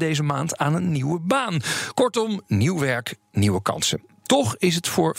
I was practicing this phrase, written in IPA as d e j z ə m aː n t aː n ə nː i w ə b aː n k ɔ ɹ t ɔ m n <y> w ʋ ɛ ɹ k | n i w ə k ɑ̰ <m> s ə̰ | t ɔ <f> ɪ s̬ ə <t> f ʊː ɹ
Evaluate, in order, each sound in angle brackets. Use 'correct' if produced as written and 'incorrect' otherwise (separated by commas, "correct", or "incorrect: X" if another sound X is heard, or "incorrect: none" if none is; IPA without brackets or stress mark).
incorrect: i, incorrect: n, incorrect: χ, correct